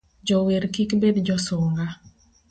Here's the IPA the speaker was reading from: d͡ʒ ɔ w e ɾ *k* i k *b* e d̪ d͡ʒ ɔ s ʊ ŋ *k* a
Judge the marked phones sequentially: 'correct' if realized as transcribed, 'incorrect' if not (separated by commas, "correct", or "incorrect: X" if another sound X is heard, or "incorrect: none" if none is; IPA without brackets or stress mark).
correct, correct, incorrect: ɡ